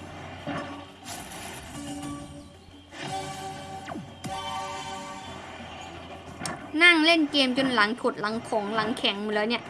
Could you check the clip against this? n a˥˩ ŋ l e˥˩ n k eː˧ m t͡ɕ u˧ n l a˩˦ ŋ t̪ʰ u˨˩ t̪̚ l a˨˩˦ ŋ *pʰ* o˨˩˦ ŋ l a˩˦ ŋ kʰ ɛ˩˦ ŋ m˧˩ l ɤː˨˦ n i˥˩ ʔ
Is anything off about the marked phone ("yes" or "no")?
yes